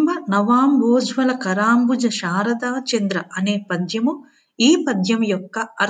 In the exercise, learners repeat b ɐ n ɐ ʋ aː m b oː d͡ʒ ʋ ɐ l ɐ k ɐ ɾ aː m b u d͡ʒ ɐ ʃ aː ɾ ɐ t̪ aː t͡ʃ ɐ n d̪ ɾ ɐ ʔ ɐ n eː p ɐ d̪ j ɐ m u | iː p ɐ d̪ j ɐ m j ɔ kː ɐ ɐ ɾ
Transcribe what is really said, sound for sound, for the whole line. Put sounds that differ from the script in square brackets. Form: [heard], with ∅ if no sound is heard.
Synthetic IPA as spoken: b ɐ n ɐ ʋ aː m b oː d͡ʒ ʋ ɐ l ɐ k ɐ ɾ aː m b u d͡ʒ ɐ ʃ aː ɾ ɐ [d̪] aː t͡ʃ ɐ n d̪ ɾ ɐ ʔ ɐ n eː p ɐ d̪ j ɐ m u | iː p ɐ d̪ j ɐ m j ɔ kː ɐ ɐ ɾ